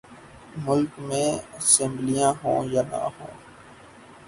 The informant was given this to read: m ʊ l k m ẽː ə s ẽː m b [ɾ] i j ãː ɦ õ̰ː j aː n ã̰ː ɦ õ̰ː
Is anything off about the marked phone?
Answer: yes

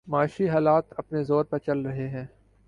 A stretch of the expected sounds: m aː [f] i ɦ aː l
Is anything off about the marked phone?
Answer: yes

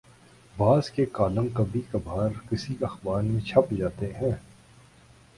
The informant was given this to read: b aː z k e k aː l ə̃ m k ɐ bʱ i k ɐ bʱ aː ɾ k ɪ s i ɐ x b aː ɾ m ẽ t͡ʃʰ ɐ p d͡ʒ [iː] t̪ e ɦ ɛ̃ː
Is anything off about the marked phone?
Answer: yes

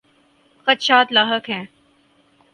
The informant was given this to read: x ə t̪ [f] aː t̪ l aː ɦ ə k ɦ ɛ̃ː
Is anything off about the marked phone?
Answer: yes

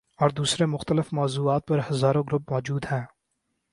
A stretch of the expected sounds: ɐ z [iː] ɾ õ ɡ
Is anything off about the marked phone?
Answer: yes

